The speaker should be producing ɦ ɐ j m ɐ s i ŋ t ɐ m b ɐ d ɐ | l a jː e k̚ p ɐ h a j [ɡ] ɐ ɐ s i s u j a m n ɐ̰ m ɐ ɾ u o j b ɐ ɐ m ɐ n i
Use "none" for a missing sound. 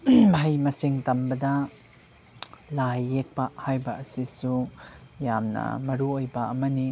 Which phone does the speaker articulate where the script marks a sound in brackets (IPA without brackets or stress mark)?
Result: b